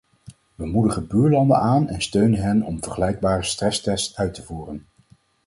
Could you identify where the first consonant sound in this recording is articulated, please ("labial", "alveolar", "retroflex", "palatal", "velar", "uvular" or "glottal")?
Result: labial